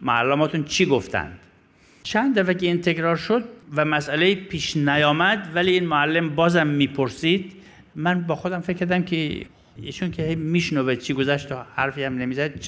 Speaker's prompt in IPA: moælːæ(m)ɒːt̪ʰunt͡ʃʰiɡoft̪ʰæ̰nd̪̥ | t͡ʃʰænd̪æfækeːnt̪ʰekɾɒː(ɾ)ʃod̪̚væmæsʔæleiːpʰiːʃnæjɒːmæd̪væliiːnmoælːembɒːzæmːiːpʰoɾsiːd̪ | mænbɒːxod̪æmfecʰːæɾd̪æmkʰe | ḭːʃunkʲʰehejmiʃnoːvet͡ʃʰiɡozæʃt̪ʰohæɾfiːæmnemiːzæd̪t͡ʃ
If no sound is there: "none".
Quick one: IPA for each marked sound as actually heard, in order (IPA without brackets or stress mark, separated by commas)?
m, ɾ